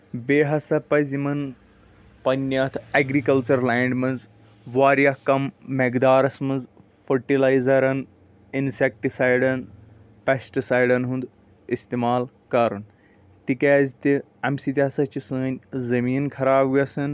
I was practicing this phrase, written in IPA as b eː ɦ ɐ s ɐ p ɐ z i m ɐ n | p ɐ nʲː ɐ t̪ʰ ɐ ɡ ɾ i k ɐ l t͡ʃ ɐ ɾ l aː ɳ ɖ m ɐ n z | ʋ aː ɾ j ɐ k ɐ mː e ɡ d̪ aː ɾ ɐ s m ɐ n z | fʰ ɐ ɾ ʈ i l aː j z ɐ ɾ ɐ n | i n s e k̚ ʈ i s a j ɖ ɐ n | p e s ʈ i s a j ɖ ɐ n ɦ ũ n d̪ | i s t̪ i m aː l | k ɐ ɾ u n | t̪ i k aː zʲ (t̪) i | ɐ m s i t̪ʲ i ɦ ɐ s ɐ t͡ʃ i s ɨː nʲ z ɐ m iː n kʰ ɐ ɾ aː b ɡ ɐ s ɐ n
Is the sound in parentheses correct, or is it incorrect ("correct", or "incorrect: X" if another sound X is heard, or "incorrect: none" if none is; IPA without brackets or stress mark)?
correct